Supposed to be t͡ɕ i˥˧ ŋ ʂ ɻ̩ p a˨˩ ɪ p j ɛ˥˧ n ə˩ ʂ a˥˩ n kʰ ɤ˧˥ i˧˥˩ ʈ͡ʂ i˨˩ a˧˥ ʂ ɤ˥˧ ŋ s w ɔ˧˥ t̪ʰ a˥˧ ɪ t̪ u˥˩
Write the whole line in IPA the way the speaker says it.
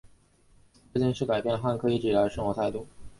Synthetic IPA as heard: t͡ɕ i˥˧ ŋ ʂ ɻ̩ k a˨˩ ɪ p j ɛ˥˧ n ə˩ x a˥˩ n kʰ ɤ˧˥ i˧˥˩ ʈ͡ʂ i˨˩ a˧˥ ʂ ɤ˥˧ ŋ x w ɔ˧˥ t̪ʰ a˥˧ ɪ t̪ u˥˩